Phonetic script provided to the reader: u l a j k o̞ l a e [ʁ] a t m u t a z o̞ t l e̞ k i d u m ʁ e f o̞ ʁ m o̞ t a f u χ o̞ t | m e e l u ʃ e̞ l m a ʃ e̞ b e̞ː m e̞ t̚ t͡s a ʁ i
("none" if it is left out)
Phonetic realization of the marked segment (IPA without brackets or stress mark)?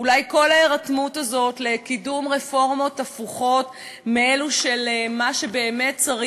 ʁ